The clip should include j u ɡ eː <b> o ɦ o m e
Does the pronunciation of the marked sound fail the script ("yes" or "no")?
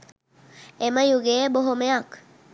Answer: no